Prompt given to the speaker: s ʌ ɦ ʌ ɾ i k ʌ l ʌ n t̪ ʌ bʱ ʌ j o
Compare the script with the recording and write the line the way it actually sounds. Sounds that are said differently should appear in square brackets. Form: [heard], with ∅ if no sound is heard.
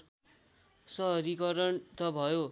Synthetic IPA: s ʌ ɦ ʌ ɾ i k ʌ [ɾ] ʌ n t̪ ʌ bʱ ʌ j o